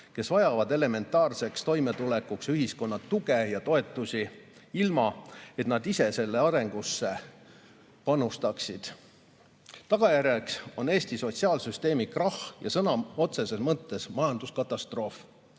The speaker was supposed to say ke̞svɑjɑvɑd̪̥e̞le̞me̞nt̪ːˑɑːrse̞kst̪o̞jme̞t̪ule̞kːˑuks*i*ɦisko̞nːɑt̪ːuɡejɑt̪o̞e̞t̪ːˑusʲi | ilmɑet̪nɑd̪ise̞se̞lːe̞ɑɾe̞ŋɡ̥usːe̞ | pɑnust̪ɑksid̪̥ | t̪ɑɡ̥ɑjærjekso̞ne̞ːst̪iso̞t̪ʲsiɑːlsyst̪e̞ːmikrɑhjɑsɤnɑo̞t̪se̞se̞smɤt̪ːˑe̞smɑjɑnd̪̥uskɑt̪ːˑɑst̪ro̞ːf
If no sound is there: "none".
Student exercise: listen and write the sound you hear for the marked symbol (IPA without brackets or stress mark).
y